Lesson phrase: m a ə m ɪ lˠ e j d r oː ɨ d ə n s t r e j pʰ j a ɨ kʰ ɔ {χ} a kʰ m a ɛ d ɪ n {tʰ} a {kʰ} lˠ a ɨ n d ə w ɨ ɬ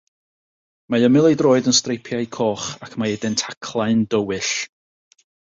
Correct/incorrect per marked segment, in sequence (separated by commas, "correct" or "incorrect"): correct, correct, correct